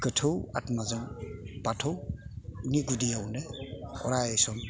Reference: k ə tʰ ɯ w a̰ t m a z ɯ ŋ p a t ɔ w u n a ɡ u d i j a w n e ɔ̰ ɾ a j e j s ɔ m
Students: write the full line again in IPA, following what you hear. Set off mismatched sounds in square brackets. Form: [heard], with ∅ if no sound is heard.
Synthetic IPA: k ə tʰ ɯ w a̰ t m a z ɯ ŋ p a [tʰ] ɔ w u n [i] ɡ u d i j a w n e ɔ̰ ɾ a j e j s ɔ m

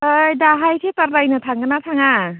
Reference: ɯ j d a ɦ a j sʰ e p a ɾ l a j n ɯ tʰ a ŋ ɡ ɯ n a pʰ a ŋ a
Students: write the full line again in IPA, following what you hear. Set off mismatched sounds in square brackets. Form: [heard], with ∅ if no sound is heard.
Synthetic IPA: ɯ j d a ɦ a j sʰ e [t] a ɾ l a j n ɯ tʰ a ŋ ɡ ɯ n a [tʰ] a ŋ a

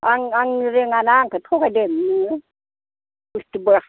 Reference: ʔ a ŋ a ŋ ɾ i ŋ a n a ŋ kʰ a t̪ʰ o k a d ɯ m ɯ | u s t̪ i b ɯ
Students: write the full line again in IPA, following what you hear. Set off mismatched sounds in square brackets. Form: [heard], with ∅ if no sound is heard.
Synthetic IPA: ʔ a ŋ a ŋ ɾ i ŋ a n a ŋ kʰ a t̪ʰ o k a d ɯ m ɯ | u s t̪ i b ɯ

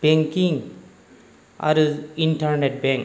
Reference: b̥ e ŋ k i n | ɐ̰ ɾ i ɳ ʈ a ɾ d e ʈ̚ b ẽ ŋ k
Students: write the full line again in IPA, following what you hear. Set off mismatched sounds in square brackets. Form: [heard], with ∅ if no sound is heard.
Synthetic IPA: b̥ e ŋ k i [ŋ] | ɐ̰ ɾ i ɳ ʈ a ɾ [n] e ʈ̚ b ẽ ŋ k

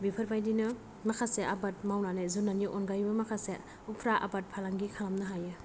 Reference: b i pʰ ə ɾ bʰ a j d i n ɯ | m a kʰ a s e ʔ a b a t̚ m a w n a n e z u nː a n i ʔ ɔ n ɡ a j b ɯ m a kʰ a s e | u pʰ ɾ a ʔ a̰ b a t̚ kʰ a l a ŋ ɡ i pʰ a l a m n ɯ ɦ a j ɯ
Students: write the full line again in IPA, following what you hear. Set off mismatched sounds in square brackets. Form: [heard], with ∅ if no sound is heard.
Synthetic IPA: b i pʰ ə ɾ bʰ a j d i n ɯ | m a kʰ a s e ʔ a b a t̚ m a w n a n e z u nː a n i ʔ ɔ n ɡ a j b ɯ m a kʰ a s e | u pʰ ɾ a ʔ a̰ b a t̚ [pʰ] a l a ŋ ɡ i [kʰ] a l a m n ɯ ɦ a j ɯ

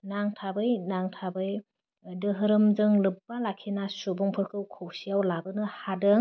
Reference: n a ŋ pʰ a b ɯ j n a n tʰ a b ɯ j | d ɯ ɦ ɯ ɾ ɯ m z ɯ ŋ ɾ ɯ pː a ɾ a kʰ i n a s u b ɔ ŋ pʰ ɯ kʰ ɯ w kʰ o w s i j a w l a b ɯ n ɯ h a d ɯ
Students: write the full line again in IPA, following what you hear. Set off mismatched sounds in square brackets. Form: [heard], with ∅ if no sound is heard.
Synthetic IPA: n a ŋ [tʰ] a b ɯ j n a [ŋ] tʰ a b ɯ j | d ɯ ɦ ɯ ɾ ɯ m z ɯ ŋ [l] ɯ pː a [l] a kʰ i n a s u b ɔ ŋ pʰ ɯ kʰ ɯ w kʰ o w s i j a w l a b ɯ n ɯ h a d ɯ

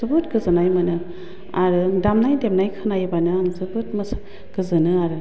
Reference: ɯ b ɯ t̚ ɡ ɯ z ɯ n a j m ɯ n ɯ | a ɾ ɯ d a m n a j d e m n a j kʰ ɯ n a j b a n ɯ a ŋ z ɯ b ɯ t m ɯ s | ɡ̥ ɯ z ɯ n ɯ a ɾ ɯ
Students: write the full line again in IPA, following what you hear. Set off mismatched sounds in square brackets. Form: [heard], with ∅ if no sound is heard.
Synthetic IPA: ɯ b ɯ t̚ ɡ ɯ z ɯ n a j m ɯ n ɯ | a ɾ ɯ d a m n a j d e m n a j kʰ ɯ n a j b a n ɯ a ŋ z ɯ b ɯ t m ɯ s | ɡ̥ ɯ z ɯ n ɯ a ɾ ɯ

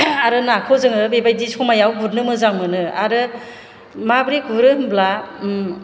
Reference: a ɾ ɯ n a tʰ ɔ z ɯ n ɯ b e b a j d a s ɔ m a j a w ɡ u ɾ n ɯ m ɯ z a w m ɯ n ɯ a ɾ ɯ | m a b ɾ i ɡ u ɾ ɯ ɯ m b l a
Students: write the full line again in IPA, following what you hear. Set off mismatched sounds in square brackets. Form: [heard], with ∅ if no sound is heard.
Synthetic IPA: a ɾ ɯ n a [kʰ] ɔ z ɯ [ŋ] ɯ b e b a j d [i] s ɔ m a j a w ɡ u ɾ n ɯ m ɯ z a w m ɯ n ɯ a ɾ ɯ | m a b ɾ i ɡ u ɾ ɯ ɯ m b l a

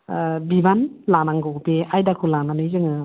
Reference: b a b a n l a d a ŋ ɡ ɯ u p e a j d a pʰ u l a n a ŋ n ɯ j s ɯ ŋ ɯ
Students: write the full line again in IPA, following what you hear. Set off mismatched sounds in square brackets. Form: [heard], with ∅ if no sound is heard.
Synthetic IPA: b [i] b a n l a [n] a ŋ ɡ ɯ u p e a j d a [kʰ] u l a n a [∅] n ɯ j [z] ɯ ŋ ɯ

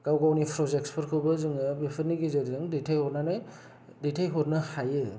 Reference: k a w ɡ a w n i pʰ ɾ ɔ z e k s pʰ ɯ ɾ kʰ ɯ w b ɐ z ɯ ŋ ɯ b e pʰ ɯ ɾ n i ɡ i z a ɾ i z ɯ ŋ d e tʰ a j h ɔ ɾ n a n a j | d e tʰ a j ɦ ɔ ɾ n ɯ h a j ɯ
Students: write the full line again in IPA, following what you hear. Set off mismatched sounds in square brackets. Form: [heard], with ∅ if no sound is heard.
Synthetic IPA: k a w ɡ a w n i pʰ ɾ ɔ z e k s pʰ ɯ ɾ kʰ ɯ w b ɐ z ɯ ŋ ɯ b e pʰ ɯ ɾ n i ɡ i z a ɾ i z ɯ ŋ d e tʰ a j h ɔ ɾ n a n a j | d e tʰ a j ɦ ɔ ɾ n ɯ h a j ɯ

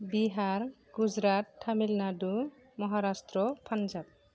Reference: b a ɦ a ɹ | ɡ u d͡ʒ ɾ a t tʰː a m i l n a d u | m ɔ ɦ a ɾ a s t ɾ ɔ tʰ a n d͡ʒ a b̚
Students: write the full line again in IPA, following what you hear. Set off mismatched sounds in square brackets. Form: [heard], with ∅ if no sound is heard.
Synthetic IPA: b [i] ɦ a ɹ | ɡ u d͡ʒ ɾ a t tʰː a m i l n a d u | m ɔ ɦ a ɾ a s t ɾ ɔ [pʰ] a n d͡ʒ a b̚

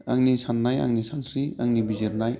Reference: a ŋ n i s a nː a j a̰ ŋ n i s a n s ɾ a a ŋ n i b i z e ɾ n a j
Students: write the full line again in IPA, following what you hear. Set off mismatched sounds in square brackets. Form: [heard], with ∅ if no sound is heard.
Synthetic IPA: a ŋ n i s a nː a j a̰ ŋ n i s a n s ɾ [i] a ŋ n i b i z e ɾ n a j

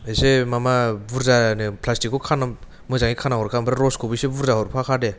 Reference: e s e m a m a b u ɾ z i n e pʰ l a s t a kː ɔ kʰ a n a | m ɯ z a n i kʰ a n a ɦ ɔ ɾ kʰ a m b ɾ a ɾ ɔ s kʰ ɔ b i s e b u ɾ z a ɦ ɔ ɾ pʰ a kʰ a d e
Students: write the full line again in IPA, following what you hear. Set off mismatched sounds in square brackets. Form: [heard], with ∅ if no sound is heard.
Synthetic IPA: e s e m a m a b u ɾ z [a] n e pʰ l a s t [i] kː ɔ kʰ a n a | m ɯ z a [ŋ] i kʰ a n a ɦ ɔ ɾ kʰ a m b ɾ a ɾ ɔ s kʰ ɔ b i s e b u ɾ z a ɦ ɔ ɾ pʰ a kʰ a d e

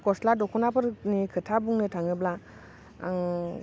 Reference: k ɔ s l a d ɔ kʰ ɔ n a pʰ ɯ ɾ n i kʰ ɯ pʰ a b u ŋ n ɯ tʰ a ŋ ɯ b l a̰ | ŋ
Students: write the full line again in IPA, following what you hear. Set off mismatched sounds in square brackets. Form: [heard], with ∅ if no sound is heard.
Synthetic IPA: k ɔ s l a d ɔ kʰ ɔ n a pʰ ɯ ɾ n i kʰ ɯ [tʰ] a b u ŋ n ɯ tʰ a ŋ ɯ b l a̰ | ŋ

